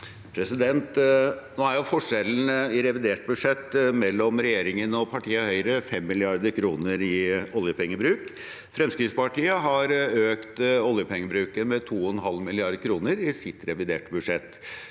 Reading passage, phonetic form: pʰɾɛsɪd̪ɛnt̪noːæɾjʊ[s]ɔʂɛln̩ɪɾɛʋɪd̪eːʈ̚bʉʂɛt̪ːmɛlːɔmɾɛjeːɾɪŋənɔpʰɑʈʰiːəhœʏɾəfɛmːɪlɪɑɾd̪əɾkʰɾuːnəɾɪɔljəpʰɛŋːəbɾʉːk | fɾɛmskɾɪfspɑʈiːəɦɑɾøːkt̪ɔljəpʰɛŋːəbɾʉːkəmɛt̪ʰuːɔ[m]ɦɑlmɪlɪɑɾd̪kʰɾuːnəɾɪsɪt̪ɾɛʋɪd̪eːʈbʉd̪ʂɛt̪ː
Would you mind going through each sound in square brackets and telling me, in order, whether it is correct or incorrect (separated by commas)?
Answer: incorrect, incorrect